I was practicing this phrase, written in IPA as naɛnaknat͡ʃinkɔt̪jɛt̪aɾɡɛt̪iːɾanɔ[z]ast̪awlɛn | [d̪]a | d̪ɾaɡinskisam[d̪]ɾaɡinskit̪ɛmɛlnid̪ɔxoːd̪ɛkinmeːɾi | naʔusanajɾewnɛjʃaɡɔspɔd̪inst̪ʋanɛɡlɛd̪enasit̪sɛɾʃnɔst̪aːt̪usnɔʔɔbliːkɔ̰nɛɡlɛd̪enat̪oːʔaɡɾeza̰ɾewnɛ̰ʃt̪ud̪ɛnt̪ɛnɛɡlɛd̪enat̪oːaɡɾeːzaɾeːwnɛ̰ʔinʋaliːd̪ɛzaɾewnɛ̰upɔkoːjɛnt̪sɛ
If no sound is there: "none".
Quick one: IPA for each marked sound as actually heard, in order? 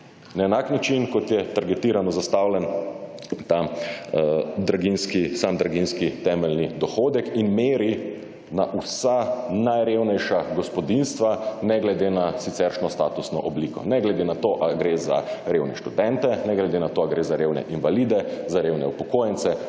z, t̪, d̪

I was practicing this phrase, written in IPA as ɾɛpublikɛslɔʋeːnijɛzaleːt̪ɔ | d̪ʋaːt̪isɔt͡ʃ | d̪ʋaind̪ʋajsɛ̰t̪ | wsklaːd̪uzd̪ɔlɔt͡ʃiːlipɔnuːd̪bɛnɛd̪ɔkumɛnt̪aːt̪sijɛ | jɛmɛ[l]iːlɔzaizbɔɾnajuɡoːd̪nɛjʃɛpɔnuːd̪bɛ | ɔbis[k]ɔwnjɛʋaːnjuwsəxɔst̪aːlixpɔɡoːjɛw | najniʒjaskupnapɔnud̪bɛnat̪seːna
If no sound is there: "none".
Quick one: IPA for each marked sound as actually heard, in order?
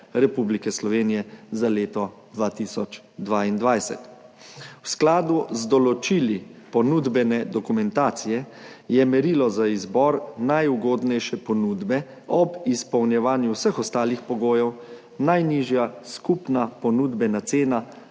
ɾ, p

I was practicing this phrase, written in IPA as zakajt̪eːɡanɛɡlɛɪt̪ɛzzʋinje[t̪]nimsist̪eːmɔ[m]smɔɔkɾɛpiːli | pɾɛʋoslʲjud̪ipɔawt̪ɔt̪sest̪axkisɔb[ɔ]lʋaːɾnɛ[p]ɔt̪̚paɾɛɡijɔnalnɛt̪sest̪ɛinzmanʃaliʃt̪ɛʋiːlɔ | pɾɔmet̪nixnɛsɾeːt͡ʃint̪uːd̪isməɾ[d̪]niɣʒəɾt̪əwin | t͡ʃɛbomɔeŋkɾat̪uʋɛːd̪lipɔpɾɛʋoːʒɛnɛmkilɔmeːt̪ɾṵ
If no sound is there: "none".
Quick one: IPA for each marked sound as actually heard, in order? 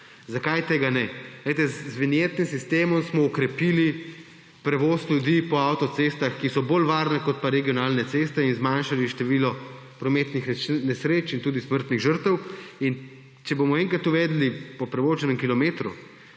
t̪, m, o, k, t̪

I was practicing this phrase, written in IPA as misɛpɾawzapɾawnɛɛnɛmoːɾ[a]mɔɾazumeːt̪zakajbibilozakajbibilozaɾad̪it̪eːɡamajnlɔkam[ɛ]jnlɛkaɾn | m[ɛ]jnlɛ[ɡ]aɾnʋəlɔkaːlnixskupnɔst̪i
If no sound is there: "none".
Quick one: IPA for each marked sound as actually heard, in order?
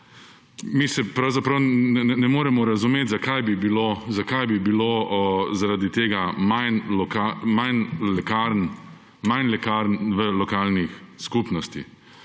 ɛ, a, a, k

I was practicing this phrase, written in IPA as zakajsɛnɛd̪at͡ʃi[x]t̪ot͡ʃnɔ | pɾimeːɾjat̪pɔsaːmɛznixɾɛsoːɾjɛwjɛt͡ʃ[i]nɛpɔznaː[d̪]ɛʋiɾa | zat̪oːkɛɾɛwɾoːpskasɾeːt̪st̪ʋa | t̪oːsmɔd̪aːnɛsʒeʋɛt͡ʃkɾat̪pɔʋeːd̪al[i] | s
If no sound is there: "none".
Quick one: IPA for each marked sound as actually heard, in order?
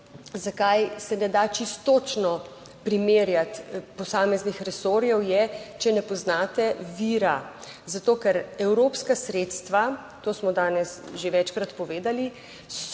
s, ɛ, t̪, i

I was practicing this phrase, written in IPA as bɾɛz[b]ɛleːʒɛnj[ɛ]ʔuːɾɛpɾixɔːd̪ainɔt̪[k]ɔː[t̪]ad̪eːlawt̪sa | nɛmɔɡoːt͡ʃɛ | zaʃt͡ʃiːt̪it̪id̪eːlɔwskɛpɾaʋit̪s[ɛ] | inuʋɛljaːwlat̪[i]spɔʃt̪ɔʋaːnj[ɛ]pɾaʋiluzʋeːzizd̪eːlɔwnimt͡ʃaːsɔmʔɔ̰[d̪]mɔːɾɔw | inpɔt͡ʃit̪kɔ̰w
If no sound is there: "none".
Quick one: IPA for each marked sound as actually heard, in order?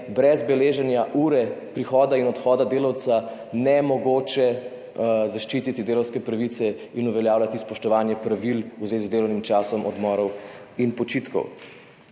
b, a, x, d̪, ɛ, i, ɛ, d̪

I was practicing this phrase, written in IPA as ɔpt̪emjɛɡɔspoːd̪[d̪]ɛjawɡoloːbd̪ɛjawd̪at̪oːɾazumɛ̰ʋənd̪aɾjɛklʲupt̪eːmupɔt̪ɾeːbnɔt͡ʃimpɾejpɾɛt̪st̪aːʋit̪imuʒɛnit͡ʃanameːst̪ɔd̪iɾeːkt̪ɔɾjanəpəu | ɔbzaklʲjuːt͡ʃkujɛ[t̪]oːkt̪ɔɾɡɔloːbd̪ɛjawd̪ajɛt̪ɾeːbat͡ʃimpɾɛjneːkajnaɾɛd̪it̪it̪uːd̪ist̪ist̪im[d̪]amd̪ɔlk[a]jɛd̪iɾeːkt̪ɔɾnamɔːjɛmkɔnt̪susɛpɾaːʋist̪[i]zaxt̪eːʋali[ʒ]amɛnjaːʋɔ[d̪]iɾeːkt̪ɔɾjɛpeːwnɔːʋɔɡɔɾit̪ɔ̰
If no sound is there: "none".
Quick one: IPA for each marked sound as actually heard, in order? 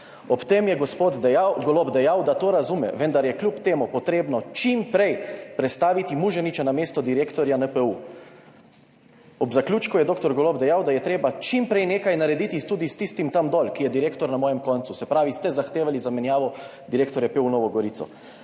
d̪, d̪, t̪, i, ɛ, z, d̪

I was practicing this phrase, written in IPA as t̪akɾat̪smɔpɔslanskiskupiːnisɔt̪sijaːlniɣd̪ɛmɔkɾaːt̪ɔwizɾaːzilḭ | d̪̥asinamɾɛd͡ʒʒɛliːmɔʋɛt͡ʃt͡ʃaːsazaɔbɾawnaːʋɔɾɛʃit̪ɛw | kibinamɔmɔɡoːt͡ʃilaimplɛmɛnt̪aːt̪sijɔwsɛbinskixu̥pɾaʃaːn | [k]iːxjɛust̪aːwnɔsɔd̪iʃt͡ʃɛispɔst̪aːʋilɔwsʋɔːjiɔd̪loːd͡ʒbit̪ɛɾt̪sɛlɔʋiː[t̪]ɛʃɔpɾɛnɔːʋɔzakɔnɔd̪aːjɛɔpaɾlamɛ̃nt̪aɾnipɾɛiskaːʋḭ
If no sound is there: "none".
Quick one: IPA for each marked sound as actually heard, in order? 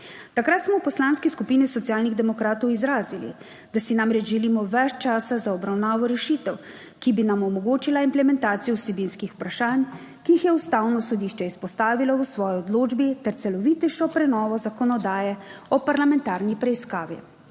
k, t̪

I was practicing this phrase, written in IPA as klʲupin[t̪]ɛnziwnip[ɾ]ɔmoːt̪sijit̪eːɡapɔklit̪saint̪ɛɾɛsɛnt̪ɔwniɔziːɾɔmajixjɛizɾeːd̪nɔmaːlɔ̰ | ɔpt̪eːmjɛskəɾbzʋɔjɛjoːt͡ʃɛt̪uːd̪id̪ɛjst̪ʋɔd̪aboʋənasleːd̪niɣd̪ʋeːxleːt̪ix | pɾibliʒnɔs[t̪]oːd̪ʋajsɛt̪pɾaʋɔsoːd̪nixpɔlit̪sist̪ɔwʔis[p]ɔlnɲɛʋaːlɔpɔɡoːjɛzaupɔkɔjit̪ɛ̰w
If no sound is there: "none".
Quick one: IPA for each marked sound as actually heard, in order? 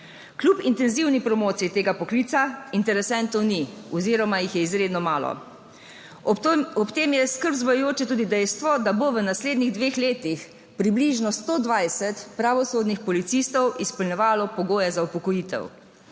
t̪, ɾ, t̪, p

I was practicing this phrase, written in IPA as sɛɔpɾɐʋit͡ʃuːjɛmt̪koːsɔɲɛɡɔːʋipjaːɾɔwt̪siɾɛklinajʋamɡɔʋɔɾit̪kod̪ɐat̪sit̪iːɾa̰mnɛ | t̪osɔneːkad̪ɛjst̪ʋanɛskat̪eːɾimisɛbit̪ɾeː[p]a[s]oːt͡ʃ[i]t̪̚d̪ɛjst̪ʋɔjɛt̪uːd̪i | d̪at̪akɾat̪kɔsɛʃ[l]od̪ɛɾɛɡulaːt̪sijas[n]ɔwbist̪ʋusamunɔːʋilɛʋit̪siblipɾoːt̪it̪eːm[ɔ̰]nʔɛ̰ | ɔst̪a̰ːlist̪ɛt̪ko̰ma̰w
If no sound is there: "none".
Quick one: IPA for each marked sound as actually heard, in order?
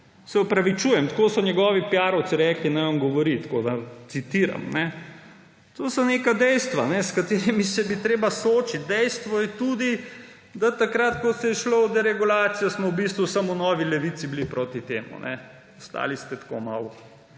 b, s, i, l, m, ṵ

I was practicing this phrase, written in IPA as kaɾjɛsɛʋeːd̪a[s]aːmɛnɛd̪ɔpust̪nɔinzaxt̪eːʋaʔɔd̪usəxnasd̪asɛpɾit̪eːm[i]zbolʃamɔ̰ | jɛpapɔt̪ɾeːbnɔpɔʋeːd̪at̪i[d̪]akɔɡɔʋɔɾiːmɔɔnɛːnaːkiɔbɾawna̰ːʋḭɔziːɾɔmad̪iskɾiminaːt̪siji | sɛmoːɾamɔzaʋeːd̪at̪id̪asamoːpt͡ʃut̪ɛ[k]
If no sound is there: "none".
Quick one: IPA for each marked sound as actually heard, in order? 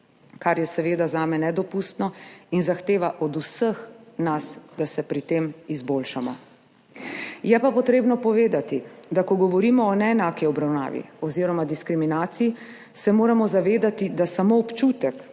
z, i, d̪, k

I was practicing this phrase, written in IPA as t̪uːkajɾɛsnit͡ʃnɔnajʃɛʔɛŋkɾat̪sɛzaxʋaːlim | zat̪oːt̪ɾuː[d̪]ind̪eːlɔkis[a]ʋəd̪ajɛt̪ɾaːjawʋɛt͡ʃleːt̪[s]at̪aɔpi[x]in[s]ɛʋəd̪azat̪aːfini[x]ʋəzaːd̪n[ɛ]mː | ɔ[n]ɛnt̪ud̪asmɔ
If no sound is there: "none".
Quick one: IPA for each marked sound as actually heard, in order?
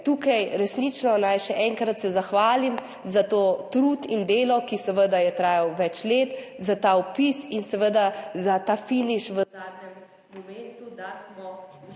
t̪, ɛ, z, s, s, ʃ, ɛ, m

